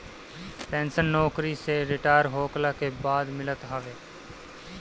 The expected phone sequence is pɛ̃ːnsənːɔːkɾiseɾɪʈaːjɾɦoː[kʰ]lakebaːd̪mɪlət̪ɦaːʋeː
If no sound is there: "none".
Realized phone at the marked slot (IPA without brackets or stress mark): k